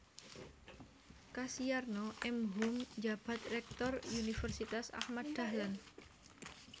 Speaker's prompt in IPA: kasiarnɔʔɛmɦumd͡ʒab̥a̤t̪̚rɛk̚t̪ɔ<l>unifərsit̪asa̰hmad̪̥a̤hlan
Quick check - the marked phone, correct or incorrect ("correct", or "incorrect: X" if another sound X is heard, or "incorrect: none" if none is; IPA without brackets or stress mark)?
incorrect: r